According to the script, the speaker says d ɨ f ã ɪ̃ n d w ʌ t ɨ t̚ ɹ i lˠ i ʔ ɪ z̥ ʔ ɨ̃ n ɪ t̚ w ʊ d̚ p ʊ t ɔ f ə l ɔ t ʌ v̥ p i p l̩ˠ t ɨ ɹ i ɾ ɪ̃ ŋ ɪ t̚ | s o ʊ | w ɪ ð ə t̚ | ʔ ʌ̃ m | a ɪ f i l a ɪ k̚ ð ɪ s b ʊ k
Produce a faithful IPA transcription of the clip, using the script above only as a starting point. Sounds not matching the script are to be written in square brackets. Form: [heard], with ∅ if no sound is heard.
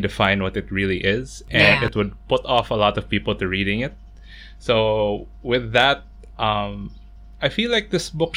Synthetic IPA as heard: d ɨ f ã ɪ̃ n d w ʌ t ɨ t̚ ɹ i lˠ i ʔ ɪ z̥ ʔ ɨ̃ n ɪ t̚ w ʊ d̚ p ʊ t ɔ f ə l ɔ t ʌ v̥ p i p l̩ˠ t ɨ ɹ i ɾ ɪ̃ ŋ ɪ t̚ | s o ʊ | w ɪ ð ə t̚ | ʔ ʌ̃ m | a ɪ f i l a ɪ k̚ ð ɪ s b ʊ k